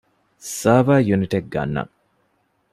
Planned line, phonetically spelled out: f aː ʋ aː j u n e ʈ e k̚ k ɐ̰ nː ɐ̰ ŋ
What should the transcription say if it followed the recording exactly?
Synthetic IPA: s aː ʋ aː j u n i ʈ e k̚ ɡ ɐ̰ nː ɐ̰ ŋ